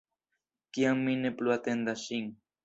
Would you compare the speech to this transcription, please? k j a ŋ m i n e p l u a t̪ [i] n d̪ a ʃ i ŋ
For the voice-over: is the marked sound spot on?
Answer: no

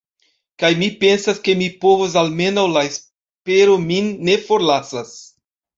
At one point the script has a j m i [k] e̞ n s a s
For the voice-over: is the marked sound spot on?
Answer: no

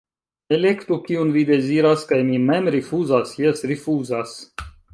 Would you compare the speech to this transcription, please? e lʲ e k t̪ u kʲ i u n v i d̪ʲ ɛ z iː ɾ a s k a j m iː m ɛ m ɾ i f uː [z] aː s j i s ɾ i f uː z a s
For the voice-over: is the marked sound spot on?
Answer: yes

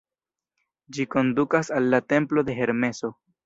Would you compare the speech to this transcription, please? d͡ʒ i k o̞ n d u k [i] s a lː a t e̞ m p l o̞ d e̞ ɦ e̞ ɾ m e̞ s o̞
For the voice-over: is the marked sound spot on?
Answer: no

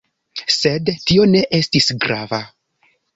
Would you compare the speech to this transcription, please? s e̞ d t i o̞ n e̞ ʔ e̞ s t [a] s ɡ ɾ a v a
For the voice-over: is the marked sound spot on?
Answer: no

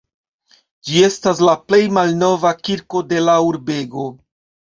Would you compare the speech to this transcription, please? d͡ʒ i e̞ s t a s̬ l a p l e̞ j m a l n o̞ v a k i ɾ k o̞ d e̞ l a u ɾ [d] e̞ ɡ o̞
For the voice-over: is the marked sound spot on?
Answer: no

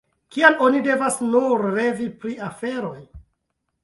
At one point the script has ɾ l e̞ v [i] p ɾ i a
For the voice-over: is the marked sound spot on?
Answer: yes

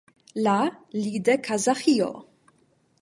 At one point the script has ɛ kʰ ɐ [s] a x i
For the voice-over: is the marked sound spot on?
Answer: no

